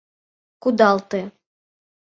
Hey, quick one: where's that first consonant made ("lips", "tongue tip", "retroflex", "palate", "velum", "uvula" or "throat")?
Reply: velum